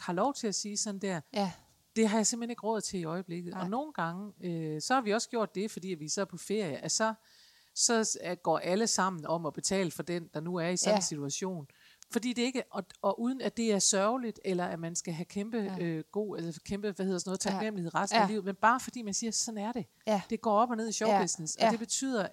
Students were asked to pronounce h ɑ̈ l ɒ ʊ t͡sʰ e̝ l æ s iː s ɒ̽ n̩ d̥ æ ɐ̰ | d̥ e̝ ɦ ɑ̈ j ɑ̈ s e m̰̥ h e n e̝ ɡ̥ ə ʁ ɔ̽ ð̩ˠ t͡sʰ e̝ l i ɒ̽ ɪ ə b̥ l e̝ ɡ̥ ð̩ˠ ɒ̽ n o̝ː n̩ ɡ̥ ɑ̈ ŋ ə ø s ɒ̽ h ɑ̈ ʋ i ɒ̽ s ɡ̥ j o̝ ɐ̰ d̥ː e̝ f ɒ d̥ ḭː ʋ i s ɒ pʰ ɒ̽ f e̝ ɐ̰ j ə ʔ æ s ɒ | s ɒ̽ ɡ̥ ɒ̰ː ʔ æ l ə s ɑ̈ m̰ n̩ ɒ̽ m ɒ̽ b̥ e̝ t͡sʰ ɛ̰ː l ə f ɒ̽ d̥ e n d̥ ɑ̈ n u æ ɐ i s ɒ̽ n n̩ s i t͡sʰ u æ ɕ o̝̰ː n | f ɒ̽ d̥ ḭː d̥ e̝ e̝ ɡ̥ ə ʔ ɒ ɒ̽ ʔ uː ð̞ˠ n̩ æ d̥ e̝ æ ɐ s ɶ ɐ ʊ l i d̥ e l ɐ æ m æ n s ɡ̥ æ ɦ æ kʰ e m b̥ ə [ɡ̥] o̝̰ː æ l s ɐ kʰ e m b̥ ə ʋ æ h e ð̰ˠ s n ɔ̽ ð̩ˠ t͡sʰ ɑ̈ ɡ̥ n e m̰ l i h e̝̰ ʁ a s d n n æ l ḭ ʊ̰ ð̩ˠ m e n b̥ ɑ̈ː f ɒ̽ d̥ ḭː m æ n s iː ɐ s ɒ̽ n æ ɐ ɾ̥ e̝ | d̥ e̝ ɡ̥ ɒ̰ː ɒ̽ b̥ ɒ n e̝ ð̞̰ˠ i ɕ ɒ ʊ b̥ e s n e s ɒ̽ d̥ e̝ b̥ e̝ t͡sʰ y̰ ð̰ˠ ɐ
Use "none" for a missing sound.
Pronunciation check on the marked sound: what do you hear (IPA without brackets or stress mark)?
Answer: ɡ̥